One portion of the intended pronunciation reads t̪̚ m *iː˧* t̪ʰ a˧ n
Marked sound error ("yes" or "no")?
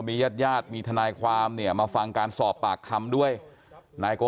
no